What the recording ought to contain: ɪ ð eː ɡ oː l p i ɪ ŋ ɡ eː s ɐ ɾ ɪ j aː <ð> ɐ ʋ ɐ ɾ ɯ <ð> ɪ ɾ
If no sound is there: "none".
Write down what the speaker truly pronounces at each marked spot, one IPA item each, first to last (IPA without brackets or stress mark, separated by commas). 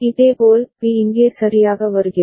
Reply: ɣ, ɣ